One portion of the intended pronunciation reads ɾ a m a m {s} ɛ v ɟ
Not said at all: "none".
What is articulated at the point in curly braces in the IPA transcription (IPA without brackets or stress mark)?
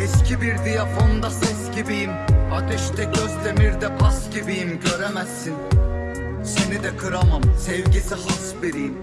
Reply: s